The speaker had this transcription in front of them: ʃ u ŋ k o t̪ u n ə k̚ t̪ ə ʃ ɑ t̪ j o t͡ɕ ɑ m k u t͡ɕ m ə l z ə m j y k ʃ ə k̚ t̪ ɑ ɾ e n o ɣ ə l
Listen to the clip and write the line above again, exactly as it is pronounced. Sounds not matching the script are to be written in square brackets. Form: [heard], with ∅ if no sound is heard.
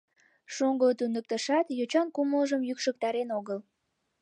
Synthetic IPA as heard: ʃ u ŋ [ɡ] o t̪ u n ə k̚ t̪ ə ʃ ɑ t̪ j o t͡ɕ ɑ [n] k u [∅] m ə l [ʒ] ə m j y k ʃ ə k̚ t̪ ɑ ɾ e n o ɣ ə l